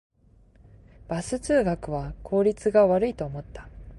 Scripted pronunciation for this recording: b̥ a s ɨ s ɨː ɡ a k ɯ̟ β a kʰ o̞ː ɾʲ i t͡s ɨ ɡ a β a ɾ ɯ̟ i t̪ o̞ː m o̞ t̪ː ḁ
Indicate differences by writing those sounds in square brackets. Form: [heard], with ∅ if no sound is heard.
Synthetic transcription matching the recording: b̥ a s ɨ [t͡s] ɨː ɡ a k ɯ̟ β a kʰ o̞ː ɾʲ i t͡s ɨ ɡ a β a ɾ ɯ̟ i t̪ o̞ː m o̞ t̪ː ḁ